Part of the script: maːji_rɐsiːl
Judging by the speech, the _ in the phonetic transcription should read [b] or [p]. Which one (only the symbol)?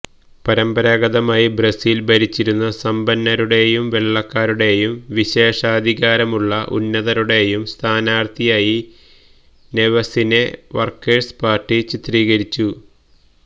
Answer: b